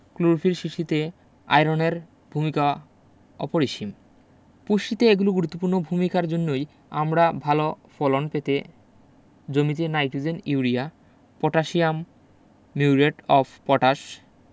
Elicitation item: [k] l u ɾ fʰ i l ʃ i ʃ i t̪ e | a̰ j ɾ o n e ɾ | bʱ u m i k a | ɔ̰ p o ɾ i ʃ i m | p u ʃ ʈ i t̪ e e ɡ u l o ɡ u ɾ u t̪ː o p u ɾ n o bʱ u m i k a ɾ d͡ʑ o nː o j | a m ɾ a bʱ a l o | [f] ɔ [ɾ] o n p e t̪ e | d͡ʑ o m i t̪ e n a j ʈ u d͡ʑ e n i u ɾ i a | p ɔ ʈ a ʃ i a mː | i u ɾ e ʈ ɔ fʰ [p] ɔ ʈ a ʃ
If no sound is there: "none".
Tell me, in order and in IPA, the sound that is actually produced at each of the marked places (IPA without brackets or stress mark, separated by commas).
k, f, l, p